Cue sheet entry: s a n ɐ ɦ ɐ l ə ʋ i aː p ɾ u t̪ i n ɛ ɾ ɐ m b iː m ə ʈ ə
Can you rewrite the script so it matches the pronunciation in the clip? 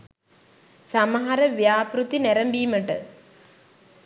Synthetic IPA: s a m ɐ ɦ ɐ ɾ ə ʋ j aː p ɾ u t̪ i n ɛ ɾ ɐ m b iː m ə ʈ ə